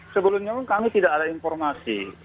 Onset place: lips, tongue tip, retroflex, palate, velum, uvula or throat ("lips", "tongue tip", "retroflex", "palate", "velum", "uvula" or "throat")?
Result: tongue tip